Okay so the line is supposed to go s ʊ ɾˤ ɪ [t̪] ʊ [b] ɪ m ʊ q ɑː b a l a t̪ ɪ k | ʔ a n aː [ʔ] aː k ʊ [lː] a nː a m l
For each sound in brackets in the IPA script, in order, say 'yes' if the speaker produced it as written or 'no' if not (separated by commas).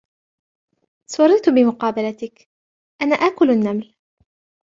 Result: yes, yes, yes, no